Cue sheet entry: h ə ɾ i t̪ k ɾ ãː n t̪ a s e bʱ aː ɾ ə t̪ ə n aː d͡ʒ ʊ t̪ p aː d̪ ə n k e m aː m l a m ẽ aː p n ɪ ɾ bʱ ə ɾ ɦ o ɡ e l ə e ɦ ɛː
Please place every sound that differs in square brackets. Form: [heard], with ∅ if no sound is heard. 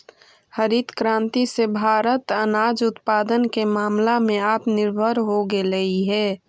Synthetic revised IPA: h ə ɾ i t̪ k ɾ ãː n t̪ [i] s e bʱ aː ɾ ə t̪ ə n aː d͡ʒ ʊ t̪ p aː d̪ ə n k e m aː m l a m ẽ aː p n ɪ ɾ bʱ ə ɾ ɦ o ɡ e l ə [i] ɦ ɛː